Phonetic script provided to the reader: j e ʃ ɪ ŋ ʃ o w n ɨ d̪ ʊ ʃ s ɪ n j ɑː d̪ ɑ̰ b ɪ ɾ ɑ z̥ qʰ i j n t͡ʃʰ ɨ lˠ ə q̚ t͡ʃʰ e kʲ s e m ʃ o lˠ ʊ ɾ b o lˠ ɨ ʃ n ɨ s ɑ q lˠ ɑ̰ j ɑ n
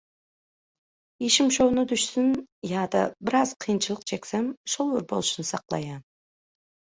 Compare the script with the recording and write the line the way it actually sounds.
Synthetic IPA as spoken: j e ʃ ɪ m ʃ o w n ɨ d̪ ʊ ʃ s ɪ n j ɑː d̪ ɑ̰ b ɪ ɾ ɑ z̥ qʰ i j n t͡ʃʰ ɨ lˠ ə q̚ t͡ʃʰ e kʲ s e m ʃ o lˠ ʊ ɾ b o lˠ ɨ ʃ n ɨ s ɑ q lˠ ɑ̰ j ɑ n